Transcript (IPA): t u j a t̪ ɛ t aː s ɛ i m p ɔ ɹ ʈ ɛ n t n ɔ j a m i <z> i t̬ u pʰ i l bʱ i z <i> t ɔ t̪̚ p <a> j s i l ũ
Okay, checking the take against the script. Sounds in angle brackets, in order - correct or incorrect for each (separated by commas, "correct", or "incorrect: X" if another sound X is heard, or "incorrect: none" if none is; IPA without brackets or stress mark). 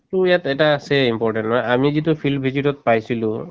correct, correct, correct